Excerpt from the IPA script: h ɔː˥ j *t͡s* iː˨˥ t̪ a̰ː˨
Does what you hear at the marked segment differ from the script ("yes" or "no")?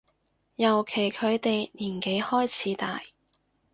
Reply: yes